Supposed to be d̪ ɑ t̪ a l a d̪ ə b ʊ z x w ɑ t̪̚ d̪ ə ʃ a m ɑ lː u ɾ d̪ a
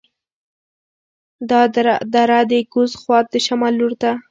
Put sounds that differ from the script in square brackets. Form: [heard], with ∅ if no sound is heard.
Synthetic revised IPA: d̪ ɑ [d̪] a [ɾ] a d̪ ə [ɡ] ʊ z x w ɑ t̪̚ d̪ ə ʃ a m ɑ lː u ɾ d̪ a